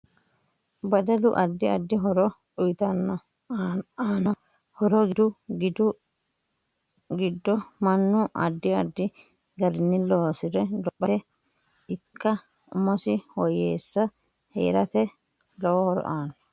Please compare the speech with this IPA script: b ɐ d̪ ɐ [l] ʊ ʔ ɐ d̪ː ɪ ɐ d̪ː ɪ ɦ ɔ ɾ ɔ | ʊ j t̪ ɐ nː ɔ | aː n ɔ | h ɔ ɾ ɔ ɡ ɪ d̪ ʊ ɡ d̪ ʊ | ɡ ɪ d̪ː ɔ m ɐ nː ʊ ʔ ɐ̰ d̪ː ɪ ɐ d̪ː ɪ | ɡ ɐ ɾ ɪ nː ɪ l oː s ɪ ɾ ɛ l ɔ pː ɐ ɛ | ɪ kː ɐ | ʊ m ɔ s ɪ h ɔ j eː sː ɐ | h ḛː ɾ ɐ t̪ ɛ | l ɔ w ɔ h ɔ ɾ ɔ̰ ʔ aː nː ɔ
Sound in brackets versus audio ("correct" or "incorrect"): correct